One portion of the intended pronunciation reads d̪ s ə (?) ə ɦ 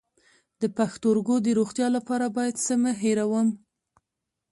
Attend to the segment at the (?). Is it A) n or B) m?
B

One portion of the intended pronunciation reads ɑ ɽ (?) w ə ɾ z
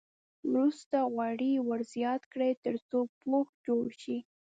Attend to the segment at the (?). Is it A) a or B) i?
B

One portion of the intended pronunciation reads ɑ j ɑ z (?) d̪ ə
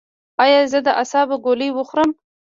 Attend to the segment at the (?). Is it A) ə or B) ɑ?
A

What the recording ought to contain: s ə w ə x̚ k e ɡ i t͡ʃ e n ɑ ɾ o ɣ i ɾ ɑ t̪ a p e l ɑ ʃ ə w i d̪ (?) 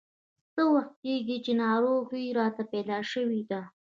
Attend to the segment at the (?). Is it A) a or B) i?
A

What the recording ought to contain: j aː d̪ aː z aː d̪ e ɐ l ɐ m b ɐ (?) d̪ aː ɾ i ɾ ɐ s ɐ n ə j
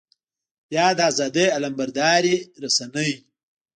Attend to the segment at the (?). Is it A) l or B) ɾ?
B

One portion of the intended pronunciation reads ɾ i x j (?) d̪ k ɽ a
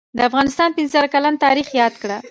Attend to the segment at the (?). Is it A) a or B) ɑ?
B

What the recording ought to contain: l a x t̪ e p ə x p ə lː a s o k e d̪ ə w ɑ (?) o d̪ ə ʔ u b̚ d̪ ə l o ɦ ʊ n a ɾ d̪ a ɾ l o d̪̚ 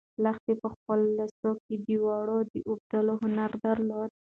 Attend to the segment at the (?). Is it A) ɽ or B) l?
A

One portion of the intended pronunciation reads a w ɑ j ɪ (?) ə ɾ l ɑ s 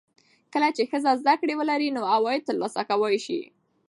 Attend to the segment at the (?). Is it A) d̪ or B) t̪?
B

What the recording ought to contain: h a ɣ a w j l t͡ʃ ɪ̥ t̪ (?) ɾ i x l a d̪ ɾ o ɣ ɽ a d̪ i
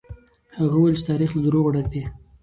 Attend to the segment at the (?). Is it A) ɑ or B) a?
A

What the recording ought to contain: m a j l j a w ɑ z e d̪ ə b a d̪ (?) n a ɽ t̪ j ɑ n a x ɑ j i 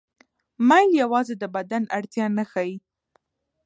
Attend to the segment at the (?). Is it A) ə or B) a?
B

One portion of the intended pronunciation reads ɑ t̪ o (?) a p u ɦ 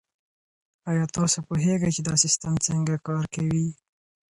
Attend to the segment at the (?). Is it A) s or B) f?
A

